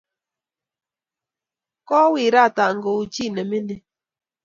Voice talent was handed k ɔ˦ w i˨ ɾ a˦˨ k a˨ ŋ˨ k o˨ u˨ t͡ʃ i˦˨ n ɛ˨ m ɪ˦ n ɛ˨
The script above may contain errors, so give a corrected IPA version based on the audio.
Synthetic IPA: k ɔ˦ w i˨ ɾ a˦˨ t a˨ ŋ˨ ɡ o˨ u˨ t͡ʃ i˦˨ n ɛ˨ m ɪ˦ n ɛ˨